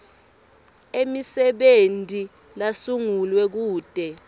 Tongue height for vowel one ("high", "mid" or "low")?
mid